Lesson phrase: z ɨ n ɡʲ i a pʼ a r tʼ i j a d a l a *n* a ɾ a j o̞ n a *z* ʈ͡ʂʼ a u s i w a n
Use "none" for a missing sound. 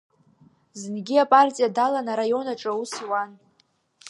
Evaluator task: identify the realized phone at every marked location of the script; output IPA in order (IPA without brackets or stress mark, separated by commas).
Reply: n, none